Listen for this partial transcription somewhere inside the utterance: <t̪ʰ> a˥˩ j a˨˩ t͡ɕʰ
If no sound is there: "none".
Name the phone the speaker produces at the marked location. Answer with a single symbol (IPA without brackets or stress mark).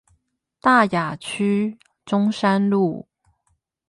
t̪